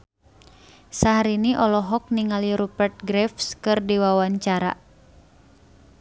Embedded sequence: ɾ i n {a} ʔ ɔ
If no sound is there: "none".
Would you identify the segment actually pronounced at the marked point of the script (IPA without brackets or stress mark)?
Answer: i